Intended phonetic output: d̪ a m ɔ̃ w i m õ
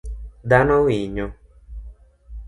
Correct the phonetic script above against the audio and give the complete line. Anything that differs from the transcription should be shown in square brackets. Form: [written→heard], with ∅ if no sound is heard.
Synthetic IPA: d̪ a [m→n] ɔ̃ w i [m→ɲ] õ